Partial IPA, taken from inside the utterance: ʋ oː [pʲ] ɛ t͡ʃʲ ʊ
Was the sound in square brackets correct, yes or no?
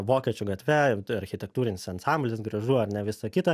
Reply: no